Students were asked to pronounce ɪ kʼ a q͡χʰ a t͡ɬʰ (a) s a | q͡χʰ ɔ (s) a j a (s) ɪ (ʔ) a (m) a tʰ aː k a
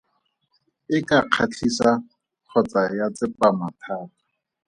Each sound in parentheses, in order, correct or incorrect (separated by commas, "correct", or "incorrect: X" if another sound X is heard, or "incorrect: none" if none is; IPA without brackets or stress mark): incorrect: i, incorrect: t͡s, incorrect: t͡s, incorrect: p, correct